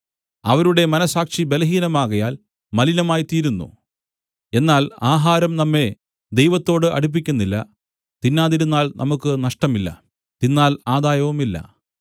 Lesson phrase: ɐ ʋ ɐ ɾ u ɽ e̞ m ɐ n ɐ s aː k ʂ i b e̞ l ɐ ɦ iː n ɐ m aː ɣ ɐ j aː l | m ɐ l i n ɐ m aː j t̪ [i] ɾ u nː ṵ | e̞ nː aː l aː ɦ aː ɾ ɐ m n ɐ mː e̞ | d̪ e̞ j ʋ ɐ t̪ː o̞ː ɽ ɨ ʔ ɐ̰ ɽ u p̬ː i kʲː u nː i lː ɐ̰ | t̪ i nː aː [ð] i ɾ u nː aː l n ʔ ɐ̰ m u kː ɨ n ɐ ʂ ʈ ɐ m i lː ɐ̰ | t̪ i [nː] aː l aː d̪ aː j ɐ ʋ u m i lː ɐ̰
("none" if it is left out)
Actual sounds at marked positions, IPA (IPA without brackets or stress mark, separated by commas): iː, ð, nː